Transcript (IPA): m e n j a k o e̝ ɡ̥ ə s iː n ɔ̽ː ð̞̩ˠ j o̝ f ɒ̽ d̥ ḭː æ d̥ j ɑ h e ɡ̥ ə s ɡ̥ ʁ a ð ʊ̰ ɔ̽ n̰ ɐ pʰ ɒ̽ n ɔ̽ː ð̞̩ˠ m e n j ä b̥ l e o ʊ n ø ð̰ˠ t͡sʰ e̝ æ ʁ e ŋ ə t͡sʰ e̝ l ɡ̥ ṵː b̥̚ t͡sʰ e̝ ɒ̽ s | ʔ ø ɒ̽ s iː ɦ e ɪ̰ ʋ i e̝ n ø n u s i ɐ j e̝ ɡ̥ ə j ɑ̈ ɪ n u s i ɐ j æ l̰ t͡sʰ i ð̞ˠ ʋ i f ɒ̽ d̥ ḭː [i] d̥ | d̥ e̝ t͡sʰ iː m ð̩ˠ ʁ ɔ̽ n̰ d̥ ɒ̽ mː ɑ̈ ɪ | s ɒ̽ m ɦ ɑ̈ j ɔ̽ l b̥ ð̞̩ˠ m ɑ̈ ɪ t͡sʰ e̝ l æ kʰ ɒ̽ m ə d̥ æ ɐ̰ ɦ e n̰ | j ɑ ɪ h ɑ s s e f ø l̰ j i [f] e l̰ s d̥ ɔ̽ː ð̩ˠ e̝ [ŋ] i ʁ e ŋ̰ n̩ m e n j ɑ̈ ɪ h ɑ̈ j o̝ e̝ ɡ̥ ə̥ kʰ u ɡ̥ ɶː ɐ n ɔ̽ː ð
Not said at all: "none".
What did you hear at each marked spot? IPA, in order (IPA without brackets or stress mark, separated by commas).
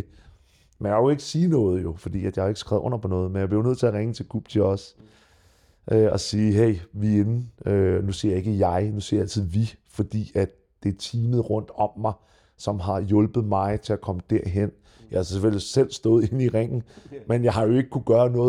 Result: æ, s, n